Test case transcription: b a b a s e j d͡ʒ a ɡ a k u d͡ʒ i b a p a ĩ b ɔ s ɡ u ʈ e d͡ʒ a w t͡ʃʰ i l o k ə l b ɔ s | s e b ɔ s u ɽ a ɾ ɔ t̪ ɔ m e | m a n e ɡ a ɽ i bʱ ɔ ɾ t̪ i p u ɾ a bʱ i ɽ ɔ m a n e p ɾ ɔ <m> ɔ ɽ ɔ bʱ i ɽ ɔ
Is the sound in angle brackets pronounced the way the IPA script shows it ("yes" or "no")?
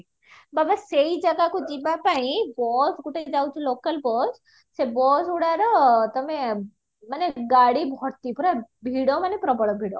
no